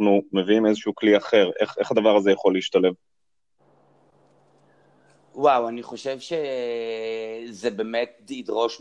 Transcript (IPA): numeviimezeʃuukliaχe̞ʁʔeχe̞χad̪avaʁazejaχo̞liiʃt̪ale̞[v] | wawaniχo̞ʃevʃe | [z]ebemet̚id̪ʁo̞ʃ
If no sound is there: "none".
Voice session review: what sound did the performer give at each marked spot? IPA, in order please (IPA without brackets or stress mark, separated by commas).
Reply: v, z